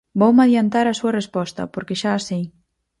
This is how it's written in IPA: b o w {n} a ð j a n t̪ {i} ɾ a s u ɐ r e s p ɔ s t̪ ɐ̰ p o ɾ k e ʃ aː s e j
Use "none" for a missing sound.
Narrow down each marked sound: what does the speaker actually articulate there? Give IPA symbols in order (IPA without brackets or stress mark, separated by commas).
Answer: m, a